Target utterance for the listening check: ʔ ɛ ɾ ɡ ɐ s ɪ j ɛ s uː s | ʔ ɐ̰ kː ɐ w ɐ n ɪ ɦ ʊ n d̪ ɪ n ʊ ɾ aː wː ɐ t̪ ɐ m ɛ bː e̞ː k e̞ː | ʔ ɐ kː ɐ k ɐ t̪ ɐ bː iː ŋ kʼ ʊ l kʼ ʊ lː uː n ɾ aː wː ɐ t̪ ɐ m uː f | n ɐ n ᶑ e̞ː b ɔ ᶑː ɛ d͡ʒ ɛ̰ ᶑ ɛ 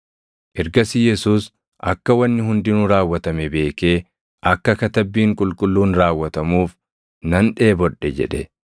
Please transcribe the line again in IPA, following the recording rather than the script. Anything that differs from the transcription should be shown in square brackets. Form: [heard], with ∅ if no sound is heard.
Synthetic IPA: ʔ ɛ ɾ ɡ ɐ s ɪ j ɛ s uː s | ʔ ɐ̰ kː ɐ w ɐ [nː] ɪ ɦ ʊ n d̪ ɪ n ʊ ɾ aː wː ɐ t̪ ɐ m ɛ [b] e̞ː k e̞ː | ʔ ɐ kː ɐ k ɐ t̪ ɐ bː iː ŋ kʼ ʊ l kʼ ʊ lː uː n ɾ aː wː ɐ t̪ ɐ m uː f | n ɐ n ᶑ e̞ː b ɔ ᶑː ɛ d͡ʒ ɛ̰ ᶑ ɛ

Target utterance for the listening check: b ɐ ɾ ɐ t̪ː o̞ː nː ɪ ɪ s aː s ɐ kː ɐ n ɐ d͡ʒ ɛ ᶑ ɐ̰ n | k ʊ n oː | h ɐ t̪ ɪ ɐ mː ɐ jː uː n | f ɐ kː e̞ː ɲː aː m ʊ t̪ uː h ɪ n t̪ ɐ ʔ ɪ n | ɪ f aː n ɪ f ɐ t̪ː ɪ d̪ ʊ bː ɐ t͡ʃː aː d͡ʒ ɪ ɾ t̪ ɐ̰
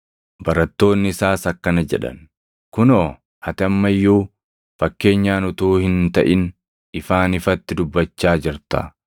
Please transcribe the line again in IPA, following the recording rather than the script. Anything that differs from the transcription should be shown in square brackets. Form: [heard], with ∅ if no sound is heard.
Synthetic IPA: b ɐ ɾ ɐ t̪ː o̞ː nː ɪ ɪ s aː s ɐ kː ɐ n ɐ d͡ʒ ɛ ᶑ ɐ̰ n | k ʊ n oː | h ɐ t̪ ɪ ɐ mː ɐ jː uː [∅] | f ɐ kː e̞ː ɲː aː [n] ʊ t̪ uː h ɪ n t̪ ɐ ʔ ɪ n | ɪ f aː n ɪ f ɐ t̪ː ɪ d̪ ʊ bː ɐ t͡ʃː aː d͡ʒ ɪ ɾ t̪ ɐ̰

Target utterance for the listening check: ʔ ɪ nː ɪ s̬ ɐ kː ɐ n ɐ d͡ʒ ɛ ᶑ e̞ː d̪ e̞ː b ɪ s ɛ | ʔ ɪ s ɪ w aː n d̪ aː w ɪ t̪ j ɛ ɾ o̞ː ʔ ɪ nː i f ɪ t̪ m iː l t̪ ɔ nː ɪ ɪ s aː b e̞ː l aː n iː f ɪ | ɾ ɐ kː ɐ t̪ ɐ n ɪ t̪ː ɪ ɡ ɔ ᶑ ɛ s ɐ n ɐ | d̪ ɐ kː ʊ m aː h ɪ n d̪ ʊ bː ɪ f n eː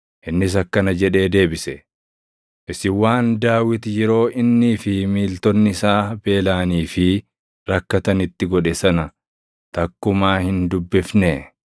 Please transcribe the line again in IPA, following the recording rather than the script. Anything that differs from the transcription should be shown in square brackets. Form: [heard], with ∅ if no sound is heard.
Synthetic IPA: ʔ ɪ nː ɪ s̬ ɐ kː ɐ n ɐ d͡ʒ ɛ ᶑ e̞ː d̪ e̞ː b ɪ s ɛ | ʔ ɪ s ɪ w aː n d̪ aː w ɪ t̪ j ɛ ɾ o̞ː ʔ ɪ nː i f ɪ [∅] m iː l t̪ ɔ nː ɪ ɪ s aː b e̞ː l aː n iː f ɪ | ɾ ɐ kː ɐ t̪ ɐ n ɪ t̪ː ɪ ɡ ɔ ᶑ ɛ s ɐ n ɐ | [t̪] ɐ kː ʊ m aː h ɪ n d̪ ʊ bː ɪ f n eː

